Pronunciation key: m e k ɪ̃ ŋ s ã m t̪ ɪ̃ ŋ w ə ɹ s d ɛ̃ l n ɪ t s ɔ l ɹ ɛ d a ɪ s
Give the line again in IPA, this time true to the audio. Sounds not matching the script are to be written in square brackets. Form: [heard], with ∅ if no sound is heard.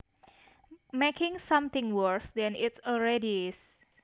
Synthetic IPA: m e k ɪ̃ ŋ s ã m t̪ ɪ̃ ŋ w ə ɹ s d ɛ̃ [∅] n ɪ t s ɔ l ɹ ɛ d [i] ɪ s